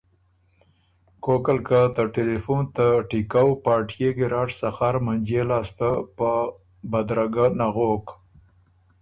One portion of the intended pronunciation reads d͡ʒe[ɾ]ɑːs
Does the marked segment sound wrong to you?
yes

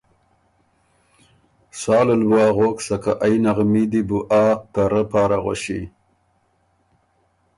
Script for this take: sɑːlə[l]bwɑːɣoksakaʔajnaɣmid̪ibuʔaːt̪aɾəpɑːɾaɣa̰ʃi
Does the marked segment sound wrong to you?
no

